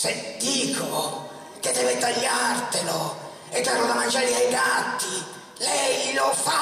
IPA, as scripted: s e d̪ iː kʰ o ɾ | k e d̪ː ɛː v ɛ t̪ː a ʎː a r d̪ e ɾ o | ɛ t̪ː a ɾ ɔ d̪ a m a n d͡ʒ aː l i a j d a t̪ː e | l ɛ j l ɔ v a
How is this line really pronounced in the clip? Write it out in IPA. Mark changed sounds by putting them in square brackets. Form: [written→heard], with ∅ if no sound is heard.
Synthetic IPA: s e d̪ iː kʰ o [ɾ→∅] | k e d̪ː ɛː v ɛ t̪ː a ʎː a r [d̪→t̪] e [ɾ→l] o | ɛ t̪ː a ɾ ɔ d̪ a m a n d͡ʒ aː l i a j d a t̪ː [e→i] | l ɛ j l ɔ [v→f] a